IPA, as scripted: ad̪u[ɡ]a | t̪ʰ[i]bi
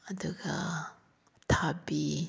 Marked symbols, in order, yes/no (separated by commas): yes, no